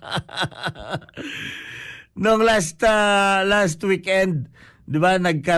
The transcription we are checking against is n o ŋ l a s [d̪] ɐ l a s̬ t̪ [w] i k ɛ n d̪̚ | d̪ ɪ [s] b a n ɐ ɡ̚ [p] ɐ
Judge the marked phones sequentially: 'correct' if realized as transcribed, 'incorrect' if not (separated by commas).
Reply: incorrect, correct, incorrect, incorrect